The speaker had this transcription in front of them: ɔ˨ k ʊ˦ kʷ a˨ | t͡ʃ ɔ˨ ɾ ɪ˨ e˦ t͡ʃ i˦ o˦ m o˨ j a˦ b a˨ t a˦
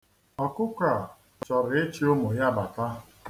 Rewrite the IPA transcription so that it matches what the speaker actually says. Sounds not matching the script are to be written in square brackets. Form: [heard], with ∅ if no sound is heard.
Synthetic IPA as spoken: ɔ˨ k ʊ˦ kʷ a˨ | t͡ʃ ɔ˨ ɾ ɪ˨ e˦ t͡ʃ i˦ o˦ m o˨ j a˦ b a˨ t a˦

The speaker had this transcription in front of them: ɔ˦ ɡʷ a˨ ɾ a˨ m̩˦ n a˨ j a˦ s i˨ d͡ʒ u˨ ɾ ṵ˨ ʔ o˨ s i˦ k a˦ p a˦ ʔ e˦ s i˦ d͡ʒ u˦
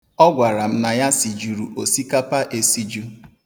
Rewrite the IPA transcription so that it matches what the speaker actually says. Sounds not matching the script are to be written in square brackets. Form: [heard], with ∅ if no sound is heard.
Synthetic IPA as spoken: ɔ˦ ɡʷ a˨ ɾ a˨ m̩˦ n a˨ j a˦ s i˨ d͡ʒ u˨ ɾ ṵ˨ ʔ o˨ s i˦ k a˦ p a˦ ʔ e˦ s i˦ d͡ʒ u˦

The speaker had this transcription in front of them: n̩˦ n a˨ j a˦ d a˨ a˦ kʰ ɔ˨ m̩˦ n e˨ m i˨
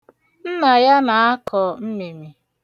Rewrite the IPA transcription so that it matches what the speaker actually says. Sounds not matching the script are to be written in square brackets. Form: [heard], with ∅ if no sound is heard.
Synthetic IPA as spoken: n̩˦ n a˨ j a˦ [n] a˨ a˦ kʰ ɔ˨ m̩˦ [m] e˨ m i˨

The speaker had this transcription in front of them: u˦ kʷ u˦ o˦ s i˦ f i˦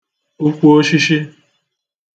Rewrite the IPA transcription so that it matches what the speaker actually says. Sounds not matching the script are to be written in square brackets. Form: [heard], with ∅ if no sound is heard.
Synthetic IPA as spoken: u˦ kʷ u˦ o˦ [ʃ] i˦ [ʃ] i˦

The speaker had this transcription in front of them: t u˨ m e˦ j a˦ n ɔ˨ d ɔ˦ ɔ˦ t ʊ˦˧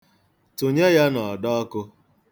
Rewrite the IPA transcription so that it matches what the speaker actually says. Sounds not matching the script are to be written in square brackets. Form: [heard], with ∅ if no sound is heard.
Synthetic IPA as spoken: t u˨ [ɲ] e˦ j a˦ n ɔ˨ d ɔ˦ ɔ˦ [k] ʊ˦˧

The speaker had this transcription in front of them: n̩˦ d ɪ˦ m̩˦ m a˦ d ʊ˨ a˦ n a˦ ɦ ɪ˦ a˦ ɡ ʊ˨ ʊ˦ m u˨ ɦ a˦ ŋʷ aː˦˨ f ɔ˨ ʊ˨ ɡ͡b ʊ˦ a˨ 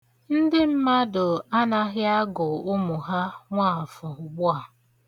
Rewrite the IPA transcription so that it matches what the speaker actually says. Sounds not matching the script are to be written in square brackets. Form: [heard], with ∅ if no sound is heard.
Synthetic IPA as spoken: n̩˦ d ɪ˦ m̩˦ m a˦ d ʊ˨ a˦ n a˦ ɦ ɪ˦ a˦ ɡ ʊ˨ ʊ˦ m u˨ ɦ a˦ ŋʷ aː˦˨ f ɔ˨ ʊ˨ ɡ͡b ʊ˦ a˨

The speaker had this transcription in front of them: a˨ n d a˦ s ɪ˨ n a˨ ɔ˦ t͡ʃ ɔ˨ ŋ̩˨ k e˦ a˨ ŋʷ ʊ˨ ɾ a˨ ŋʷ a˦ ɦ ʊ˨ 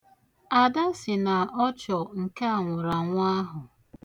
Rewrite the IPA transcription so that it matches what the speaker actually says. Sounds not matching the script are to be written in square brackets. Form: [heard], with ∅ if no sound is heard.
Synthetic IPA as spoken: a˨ [∅] d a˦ s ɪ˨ n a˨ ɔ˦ t͡ʃ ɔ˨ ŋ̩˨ k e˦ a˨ ŋʷ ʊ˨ ɾ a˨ ŋʷ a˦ ɦ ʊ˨

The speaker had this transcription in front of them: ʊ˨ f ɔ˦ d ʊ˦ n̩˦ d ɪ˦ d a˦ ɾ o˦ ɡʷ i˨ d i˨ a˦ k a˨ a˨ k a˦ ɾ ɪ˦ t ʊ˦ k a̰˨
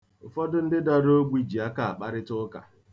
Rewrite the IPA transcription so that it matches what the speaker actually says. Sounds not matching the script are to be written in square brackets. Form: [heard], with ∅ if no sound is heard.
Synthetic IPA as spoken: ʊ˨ f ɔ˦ d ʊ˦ n̩˦ d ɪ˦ d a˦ ɾ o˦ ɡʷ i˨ [d͡ʒ] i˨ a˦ k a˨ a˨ [k͡p] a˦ ɾ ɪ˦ t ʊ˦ k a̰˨

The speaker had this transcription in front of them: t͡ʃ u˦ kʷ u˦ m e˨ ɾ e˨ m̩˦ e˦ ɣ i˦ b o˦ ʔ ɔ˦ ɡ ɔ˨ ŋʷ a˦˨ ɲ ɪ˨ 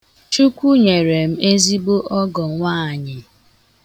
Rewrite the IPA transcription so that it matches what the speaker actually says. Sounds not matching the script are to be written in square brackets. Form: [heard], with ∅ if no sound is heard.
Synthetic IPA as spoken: t͡ʃ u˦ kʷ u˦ [ɲ] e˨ ɾ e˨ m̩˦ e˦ [z] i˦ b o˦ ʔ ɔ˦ ɡ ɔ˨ ŋʷ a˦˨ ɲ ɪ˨

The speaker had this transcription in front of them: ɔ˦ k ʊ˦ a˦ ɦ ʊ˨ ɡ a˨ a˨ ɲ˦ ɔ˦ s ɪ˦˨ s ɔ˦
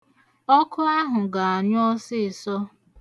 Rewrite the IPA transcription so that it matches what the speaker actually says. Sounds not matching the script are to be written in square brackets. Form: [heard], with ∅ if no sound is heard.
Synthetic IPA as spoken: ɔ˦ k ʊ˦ a˦ ɦ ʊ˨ ɡ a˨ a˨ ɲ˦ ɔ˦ s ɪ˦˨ s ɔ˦

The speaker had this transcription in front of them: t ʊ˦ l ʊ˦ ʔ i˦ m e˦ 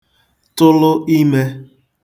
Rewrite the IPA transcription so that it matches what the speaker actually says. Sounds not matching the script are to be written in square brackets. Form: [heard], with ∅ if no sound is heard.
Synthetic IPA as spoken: t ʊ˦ l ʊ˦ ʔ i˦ m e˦

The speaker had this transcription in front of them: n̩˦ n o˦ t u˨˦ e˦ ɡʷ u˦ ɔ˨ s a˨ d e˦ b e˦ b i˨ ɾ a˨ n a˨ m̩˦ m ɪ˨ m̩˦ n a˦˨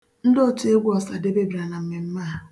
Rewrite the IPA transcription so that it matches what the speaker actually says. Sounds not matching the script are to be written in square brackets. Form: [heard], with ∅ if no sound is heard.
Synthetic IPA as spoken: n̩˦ [d] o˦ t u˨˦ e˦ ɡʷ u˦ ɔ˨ s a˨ d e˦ b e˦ b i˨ ɾ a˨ n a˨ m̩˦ m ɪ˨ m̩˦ [m] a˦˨

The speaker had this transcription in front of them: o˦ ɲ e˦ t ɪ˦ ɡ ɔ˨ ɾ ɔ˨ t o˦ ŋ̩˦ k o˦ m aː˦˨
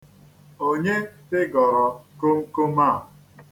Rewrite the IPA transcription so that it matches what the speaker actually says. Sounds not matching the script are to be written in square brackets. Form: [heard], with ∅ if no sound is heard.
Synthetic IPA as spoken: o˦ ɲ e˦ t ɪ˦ ɡ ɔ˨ ɾ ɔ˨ [k] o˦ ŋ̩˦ k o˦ m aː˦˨

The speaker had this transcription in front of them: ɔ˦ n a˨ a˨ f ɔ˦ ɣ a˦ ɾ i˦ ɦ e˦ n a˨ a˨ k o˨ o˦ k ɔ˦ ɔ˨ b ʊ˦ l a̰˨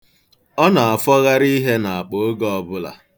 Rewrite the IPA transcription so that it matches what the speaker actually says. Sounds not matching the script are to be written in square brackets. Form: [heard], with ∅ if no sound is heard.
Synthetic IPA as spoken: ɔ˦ n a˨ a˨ f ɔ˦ ɣ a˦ ɾ i˦ ɦ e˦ n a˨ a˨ [k͡p] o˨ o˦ [ɡ] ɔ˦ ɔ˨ b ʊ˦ l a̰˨

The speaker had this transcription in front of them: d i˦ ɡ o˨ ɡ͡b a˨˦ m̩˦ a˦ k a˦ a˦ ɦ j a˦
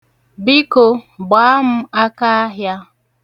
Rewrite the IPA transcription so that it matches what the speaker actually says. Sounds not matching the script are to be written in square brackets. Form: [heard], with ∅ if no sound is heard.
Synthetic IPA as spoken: [b] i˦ [k] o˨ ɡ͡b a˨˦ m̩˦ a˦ k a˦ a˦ ɦ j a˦

